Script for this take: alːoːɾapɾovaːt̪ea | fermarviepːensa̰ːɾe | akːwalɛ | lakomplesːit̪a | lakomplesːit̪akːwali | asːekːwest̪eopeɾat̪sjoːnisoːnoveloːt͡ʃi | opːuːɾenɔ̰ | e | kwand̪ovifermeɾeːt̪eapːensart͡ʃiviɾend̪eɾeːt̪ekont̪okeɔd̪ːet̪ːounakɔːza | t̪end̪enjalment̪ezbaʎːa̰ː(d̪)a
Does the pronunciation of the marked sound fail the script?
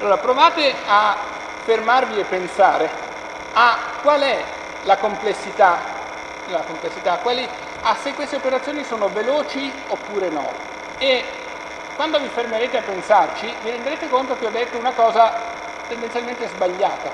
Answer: yes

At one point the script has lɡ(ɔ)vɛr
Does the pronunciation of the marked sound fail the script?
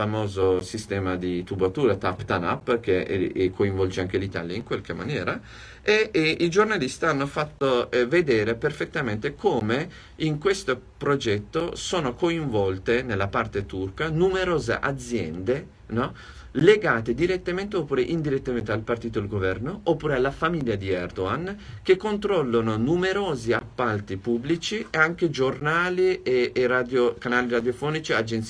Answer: yes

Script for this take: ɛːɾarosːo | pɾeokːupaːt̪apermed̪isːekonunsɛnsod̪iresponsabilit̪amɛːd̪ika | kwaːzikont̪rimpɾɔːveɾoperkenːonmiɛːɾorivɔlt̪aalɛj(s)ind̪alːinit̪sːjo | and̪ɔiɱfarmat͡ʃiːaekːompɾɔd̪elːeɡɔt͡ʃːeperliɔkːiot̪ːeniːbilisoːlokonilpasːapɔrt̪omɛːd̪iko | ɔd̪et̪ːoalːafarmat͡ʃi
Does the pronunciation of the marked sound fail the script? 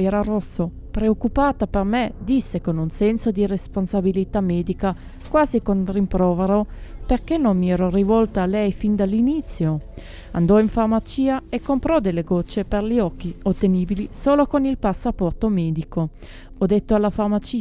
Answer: yes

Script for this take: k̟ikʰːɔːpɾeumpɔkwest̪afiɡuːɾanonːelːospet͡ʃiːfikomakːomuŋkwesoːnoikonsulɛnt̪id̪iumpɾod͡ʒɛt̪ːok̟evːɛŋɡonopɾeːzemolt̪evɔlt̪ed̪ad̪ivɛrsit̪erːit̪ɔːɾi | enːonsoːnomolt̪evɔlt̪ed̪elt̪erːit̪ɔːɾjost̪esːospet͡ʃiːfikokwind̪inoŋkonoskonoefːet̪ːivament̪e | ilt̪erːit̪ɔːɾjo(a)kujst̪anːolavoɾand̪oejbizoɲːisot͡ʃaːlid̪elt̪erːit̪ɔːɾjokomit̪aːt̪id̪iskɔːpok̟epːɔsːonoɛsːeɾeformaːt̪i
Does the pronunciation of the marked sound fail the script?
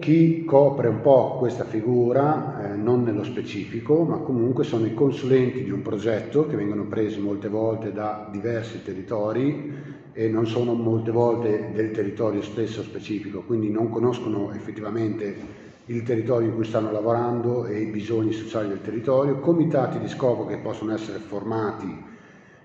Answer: yes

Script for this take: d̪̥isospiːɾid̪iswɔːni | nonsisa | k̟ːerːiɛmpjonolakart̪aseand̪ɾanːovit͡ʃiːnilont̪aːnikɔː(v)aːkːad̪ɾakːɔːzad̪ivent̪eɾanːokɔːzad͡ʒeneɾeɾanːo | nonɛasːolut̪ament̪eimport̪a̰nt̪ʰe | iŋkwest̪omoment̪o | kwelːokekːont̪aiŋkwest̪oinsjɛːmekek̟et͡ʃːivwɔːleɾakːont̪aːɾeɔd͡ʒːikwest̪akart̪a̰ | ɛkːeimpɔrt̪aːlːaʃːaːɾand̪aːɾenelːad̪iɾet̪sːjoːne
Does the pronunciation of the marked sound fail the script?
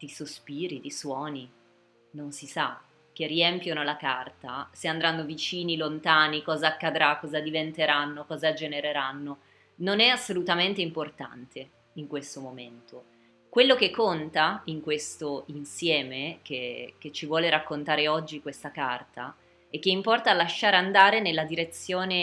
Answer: yes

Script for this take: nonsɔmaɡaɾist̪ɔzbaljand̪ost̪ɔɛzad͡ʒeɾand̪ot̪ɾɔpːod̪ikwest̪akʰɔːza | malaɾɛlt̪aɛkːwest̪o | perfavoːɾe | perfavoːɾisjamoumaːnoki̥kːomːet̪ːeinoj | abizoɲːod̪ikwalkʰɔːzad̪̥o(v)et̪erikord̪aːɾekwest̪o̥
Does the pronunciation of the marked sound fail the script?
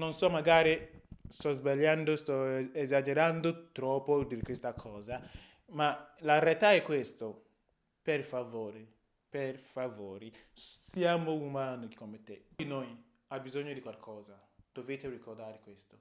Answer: no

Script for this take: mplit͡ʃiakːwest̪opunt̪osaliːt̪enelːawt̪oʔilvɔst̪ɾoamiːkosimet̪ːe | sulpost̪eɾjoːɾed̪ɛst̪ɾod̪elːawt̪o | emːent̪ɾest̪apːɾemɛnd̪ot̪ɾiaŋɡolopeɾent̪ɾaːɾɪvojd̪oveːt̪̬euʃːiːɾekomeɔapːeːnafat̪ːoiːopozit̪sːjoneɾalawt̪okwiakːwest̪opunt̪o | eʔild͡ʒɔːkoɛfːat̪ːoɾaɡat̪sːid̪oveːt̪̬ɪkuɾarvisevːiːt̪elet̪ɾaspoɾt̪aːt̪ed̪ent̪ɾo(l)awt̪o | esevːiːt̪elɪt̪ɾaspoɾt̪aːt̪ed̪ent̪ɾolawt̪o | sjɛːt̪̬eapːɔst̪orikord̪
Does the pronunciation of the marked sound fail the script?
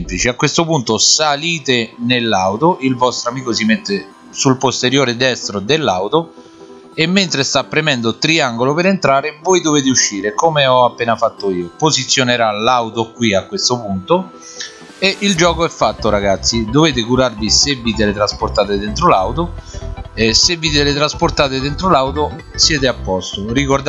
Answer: no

